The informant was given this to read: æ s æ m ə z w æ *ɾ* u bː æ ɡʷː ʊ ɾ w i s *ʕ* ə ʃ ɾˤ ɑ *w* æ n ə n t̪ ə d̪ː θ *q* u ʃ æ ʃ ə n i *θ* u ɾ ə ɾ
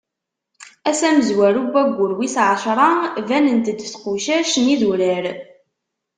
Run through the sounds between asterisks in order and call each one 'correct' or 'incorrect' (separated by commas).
correct, correct, incorrect, correct, incorrect